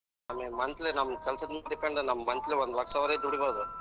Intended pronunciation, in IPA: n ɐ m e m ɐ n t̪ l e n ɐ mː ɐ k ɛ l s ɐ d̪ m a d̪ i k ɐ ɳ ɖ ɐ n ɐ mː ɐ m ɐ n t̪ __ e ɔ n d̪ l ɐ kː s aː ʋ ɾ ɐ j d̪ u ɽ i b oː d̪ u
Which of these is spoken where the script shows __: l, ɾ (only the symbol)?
l